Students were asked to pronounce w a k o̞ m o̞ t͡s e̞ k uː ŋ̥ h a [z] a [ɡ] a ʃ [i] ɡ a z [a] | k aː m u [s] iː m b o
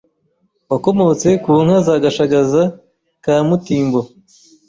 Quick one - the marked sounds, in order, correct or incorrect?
correct, correct, incorrect, correct, incorrect

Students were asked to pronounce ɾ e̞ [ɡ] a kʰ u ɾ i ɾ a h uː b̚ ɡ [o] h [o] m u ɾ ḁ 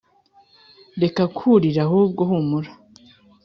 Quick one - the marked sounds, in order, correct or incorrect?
incorrect, correct, incorrect

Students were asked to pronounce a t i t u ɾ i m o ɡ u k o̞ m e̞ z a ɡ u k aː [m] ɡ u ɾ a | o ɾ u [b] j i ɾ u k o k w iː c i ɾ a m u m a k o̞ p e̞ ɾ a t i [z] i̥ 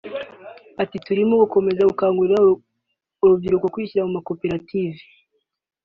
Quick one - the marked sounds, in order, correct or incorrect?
incorrect, incorrect, incorrect

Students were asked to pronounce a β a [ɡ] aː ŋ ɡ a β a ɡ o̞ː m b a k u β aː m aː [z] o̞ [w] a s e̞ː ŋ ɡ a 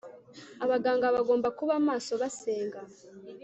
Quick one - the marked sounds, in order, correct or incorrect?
correct, incorrect, incorrect

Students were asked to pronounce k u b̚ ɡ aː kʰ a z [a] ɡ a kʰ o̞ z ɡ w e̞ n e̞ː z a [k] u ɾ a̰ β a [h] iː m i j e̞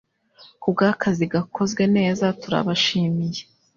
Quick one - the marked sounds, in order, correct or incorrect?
incorrect, incorrect, incorrect

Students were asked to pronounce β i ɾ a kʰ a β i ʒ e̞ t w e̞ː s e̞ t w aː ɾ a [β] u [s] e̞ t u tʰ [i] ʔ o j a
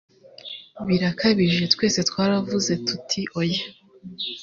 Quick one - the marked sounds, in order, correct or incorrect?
incorrect, incorrect, correct

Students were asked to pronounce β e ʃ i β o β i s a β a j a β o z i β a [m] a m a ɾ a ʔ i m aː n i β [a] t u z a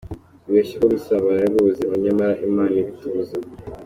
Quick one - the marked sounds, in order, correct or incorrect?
incorrect, incorrect

